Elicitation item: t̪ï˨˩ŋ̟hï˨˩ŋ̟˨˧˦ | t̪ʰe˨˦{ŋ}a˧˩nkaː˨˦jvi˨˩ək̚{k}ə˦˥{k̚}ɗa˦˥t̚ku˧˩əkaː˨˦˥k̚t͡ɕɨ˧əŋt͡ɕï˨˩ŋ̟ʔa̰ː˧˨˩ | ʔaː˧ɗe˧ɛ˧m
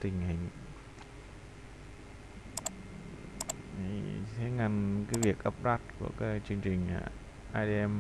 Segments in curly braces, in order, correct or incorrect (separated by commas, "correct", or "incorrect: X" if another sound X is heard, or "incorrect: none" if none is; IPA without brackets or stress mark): correct, incorrect: ʔ, incorrect: p̚